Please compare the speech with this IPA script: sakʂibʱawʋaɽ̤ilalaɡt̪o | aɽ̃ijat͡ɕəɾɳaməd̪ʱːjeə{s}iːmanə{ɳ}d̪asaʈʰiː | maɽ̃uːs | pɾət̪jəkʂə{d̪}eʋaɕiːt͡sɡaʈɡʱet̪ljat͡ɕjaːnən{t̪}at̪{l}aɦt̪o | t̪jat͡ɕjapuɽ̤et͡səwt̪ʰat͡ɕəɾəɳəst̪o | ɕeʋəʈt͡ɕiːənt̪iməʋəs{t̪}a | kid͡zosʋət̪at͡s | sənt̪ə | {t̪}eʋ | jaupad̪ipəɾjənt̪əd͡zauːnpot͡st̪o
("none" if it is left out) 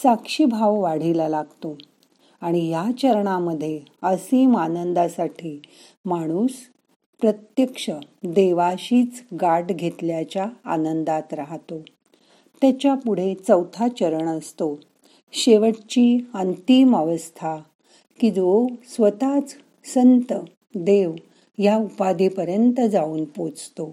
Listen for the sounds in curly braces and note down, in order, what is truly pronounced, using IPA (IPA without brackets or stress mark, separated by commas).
s, n, d̪, d̪, ɾ, t̪ʰ, d̪